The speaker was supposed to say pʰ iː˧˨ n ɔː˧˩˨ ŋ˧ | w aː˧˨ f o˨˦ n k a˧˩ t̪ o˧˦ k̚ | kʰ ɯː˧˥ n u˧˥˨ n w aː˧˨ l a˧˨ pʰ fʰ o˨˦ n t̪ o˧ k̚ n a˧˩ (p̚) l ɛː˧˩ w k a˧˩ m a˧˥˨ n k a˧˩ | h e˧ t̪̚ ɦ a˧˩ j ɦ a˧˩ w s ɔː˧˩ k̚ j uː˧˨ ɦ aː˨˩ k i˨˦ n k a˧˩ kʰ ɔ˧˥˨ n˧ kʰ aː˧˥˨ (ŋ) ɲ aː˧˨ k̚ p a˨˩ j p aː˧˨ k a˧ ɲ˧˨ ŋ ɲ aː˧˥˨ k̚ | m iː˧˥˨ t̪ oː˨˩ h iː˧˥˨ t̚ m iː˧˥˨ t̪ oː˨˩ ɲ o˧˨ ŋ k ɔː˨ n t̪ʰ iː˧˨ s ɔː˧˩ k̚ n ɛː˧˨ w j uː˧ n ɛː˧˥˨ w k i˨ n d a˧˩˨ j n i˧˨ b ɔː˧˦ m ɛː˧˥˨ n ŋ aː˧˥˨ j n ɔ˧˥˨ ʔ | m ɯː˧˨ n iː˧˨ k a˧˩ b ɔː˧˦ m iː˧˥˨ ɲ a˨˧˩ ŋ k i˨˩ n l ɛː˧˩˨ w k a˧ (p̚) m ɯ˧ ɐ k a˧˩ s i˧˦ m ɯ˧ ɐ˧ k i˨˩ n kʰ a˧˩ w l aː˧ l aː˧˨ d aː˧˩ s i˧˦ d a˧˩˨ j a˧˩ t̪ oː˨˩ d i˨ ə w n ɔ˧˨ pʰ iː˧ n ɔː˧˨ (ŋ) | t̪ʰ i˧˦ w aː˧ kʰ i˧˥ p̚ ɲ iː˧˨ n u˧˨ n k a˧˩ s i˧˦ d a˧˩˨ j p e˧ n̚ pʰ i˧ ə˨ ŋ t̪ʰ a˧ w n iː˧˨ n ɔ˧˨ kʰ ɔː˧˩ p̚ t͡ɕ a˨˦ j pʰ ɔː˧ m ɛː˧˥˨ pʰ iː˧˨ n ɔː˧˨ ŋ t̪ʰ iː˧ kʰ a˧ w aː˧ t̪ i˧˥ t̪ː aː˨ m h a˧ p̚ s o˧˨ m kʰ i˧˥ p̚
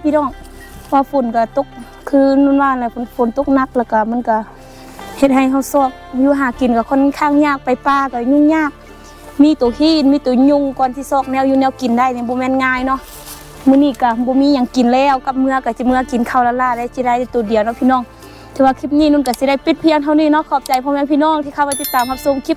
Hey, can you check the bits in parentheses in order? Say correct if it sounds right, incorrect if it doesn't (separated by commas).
incorrect, correct, correct, correct